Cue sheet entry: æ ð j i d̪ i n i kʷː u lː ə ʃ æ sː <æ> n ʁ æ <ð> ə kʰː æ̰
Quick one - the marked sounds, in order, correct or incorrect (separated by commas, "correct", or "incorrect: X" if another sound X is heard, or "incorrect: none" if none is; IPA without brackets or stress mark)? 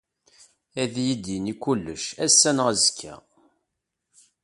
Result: correct, incorrect: z